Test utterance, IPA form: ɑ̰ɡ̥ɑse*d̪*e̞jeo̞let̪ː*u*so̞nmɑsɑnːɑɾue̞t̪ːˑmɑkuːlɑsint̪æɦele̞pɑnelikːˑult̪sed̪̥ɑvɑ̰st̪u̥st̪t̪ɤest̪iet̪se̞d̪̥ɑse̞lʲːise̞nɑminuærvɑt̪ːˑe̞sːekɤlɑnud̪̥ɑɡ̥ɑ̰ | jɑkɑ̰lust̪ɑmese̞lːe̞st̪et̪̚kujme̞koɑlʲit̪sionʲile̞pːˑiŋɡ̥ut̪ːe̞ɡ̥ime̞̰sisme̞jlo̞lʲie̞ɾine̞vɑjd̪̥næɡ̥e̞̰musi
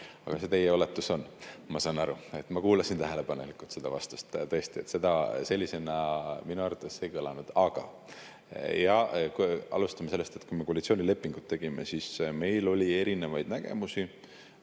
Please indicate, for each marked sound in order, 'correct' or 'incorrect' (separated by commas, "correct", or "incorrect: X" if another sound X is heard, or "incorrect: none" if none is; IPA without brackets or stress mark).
incorrect: t̪, correct